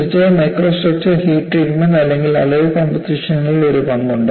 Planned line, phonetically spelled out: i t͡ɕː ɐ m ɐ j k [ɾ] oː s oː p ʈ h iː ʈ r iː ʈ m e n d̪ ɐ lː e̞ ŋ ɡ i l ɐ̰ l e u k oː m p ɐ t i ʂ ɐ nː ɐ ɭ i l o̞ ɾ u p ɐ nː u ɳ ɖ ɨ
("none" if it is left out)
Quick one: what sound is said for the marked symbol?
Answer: r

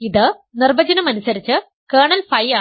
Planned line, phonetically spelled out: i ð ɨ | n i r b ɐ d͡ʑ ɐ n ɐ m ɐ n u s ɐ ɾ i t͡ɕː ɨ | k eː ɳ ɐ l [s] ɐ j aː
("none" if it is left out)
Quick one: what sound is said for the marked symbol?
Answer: f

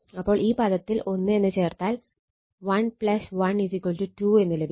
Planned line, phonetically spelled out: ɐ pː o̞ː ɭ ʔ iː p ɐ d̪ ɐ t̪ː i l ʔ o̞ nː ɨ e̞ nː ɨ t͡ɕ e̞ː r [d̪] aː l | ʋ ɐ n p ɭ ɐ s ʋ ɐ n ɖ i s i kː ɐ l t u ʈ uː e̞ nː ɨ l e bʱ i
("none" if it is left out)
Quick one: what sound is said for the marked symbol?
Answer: t̪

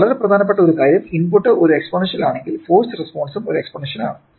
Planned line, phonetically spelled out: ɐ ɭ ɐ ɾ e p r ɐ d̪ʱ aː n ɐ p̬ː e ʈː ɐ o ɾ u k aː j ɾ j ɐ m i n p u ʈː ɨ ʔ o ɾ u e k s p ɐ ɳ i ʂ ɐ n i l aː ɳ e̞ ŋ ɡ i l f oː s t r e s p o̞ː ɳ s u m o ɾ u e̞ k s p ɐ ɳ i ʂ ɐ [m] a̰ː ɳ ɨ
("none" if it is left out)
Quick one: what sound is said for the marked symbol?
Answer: n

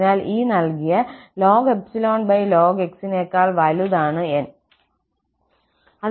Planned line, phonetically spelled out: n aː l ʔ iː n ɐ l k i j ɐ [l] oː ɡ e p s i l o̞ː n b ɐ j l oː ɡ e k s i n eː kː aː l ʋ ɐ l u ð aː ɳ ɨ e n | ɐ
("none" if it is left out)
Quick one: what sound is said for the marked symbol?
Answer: l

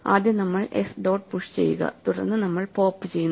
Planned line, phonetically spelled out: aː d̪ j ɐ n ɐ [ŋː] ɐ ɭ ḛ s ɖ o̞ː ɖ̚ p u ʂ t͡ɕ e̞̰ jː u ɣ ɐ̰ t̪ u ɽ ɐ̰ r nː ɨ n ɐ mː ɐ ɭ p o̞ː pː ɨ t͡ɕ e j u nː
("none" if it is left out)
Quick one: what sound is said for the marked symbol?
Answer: mː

